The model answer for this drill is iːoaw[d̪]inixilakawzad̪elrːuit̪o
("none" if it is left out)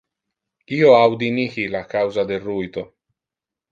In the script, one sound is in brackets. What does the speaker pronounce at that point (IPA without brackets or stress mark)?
d̪